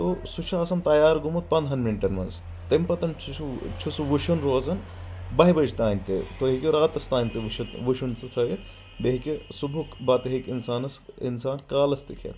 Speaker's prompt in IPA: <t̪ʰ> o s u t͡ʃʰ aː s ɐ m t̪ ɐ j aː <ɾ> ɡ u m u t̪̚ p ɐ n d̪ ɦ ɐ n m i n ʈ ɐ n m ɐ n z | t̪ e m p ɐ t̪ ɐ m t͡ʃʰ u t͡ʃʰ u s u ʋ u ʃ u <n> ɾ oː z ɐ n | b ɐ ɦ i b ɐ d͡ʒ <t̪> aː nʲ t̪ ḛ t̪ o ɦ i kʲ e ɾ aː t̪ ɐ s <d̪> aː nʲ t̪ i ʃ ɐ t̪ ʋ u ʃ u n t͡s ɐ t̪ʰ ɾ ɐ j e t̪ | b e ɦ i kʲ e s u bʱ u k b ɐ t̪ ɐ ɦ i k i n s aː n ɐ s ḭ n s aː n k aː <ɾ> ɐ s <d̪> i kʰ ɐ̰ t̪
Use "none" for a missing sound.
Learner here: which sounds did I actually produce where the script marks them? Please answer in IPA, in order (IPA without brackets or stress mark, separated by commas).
t̪, ɾ, n, t̪, t̪, l, t̪